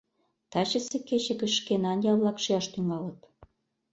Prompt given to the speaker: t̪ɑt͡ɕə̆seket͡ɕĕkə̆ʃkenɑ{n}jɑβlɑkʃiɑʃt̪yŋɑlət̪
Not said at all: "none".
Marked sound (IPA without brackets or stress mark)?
n